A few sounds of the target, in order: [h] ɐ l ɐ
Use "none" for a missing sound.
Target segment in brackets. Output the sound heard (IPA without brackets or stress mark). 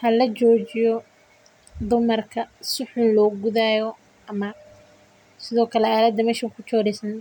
h